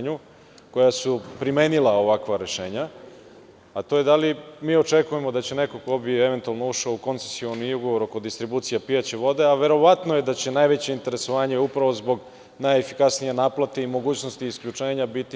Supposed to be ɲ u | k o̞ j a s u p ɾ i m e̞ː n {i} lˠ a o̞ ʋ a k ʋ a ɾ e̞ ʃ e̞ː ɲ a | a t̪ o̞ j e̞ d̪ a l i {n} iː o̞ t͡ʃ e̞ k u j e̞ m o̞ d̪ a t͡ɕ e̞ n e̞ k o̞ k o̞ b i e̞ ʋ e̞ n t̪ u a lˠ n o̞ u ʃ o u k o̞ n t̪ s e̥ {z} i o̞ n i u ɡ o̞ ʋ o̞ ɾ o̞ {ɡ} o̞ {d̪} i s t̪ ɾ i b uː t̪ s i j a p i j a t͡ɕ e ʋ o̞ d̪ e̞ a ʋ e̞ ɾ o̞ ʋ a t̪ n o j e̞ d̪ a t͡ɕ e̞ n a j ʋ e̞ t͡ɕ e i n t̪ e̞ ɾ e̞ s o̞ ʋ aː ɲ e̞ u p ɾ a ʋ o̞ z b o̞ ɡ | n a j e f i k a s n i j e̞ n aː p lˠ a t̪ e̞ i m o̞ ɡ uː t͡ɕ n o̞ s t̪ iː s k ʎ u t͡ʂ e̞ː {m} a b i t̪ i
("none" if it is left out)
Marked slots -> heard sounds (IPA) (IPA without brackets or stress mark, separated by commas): i, m, s, k, d̪, ɲ